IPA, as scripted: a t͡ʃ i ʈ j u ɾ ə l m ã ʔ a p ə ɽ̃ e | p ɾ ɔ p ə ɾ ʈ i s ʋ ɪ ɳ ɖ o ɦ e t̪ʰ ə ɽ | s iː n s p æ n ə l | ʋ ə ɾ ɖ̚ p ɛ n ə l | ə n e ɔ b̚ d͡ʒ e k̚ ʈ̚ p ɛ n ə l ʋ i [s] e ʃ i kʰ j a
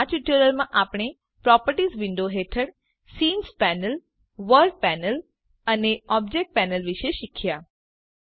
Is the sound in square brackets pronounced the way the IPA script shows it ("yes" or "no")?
no